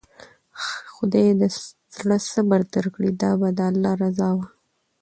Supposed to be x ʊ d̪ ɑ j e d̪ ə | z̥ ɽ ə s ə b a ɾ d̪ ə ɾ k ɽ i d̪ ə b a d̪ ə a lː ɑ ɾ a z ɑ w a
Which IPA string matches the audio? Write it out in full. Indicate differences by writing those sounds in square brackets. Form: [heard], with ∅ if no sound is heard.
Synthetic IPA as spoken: x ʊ d̪ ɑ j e d̪ ə | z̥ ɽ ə s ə b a ɾ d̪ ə ɾ k ɽ i d̪ [ɑ] b a d̪ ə a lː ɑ ɾ a z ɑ w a